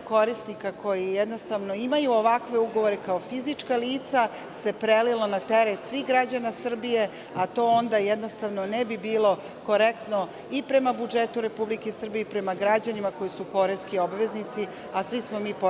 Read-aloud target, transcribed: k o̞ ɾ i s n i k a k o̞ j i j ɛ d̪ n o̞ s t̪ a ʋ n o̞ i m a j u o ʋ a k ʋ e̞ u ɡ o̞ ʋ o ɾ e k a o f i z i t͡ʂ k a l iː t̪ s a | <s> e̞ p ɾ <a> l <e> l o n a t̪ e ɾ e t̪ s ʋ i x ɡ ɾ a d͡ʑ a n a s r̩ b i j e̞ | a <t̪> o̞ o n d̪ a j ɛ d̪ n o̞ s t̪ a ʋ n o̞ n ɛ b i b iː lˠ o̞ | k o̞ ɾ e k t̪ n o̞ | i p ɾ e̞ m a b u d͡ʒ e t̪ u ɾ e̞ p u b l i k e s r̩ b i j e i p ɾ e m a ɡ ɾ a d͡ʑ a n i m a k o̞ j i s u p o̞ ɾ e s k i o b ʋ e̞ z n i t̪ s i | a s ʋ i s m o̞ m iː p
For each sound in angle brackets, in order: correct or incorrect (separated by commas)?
correct, incorrect, incorrect, correct